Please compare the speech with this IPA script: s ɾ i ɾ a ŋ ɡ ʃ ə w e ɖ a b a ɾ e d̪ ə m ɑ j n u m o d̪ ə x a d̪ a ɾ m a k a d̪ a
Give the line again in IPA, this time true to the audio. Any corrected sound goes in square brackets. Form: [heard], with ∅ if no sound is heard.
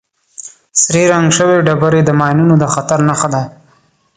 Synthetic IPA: s ɾ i ɾ a ŋ ɡ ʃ ə w e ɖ a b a ɾ e d̪ ə m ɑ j n u [n] o d̪ ə x a [t̪] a ɾ [n] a [x] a d̪ a